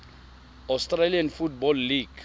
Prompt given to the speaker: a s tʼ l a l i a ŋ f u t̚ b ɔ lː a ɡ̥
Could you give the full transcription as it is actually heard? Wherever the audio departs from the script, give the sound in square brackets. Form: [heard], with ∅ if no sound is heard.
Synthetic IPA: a s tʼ [r] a l i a [n] f u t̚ b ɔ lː [i] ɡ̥